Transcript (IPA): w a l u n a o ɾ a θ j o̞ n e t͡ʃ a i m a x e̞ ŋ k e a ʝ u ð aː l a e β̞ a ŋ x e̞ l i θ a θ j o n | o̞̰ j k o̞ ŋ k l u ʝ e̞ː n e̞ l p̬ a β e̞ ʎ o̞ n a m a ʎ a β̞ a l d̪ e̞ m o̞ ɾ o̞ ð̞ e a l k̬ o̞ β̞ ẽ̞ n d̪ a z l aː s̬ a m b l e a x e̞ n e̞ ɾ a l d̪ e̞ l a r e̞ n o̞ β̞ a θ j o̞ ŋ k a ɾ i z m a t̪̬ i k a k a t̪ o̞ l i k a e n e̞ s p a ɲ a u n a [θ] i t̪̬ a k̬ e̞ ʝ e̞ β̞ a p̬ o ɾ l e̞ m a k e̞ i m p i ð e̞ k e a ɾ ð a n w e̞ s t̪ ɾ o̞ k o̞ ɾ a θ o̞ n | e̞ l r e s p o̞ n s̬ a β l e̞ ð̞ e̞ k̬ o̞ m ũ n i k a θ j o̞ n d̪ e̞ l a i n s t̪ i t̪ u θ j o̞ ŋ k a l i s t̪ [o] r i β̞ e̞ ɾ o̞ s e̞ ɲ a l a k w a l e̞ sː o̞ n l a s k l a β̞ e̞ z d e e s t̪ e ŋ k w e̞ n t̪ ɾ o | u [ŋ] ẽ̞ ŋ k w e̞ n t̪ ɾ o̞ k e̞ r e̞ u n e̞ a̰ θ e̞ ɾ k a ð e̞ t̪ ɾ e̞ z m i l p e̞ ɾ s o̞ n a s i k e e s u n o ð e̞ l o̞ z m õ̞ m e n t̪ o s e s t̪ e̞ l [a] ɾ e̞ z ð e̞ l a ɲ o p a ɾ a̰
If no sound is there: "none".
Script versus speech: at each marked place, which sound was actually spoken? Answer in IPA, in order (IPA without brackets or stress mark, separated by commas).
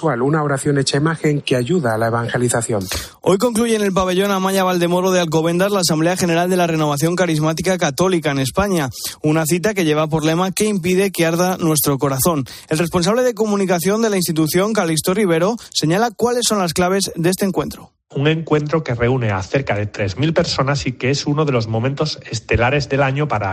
θ, o, ŋ, a